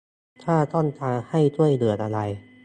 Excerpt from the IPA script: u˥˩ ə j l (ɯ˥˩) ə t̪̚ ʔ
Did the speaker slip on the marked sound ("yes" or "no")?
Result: yes